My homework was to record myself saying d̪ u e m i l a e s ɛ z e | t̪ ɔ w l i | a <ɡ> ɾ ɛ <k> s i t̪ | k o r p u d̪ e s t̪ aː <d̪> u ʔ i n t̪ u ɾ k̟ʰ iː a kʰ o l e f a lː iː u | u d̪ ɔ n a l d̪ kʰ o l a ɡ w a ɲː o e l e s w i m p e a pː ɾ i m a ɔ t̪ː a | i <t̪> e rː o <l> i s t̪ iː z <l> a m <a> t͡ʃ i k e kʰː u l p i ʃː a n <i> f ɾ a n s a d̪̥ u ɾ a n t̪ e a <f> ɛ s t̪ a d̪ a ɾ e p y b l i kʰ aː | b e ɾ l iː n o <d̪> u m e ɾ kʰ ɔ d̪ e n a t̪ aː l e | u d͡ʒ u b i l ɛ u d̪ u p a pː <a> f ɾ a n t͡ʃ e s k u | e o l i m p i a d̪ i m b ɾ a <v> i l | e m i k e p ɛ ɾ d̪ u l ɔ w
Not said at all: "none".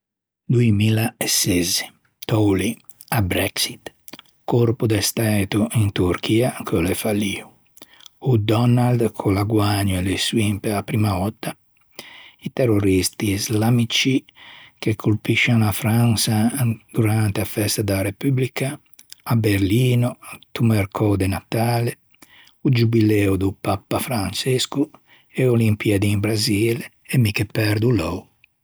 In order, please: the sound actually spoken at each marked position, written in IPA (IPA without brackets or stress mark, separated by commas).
b, k, t̪, t̪, ɾ, l, i, a, f, t̪, a, z